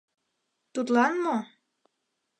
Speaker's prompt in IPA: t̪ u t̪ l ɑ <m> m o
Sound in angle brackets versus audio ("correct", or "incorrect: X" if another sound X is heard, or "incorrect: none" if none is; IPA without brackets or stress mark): incorrect: n